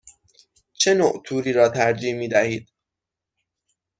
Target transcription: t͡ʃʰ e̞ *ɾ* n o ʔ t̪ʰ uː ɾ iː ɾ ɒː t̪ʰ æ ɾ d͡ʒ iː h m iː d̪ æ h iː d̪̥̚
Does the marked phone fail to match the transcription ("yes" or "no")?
yes